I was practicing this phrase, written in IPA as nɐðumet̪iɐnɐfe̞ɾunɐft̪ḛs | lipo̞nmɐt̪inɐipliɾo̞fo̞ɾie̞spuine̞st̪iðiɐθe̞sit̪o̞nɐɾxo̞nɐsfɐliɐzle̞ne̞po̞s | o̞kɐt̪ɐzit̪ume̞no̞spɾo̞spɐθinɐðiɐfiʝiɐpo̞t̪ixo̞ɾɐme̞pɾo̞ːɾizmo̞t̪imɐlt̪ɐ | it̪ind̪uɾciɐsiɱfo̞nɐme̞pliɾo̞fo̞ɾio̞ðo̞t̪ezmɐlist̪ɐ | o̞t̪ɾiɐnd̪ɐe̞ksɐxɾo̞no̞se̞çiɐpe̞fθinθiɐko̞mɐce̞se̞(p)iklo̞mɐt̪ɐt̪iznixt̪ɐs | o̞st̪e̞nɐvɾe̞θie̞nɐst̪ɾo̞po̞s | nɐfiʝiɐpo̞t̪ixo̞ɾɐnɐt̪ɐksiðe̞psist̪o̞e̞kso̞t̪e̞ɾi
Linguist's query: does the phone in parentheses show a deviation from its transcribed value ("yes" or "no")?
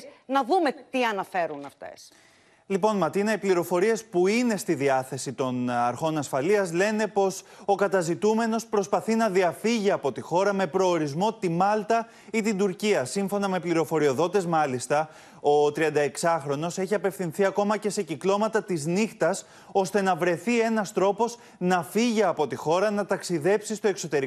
yes